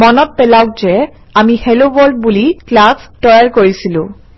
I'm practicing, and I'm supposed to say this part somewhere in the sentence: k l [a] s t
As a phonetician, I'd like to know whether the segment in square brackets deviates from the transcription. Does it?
no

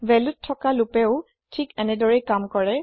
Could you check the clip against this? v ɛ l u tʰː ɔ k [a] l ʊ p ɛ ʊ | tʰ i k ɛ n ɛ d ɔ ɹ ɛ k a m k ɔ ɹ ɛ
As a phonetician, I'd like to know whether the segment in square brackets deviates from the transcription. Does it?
no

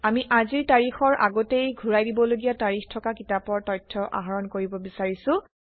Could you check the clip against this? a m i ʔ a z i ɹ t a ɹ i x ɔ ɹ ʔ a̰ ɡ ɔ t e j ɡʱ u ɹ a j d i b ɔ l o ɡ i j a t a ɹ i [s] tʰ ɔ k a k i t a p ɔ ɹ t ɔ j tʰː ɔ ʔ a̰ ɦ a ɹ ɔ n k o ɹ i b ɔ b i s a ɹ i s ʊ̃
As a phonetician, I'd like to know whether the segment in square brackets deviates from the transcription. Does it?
yes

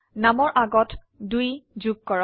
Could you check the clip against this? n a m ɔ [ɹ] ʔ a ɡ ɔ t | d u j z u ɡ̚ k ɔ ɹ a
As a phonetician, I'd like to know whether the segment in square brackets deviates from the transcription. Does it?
no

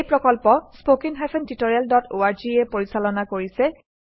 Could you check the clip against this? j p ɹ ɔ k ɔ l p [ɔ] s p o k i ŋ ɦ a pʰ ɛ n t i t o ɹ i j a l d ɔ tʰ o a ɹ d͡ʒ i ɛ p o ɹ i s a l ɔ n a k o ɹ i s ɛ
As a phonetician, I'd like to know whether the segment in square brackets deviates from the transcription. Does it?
no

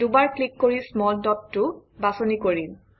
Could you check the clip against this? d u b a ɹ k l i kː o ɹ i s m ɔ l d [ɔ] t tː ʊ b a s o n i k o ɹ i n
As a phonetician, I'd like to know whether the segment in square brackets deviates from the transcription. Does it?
no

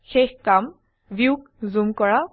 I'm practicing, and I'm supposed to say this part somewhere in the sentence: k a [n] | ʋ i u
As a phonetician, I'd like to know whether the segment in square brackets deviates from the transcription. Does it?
yes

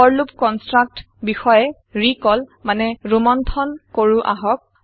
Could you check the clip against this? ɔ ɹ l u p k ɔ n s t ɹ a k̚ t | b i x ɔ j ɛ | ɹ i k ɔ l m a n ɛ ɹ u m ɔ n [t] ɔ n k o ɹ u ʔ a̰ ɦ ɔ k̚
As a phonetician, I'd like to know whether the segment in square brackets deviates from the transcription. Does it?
yes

